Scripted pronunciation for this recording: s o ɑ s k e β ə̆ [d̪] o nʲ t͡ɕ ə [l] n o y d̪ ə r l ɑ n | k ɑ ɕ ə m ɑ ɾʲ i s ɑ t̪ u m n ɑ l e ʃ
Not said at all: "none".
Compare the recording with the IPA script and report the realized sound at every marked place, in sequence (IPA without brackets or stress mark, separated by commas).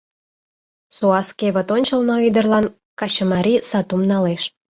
t̪, l